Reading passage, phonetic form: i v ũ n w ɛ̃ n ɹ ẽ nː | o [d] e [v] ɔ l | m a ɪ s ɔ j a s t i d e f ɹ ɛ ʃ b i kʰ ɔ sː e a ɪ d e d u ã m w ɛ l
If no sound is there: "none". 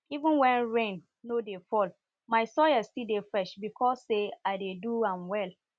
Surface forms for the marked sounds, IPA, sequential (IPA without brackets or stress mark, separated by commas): d, f